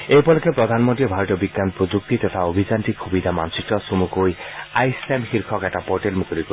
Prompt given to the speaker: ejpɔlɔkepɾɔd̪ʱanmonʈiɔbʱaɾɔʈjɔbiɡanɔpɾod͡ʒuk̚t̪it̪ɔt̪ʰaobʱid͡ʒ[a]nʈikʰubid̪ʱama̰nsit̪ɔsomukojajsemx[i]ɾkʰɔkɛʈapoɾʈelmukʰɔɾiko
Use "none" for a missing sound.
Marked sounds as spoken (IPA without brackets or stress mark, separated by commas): a, i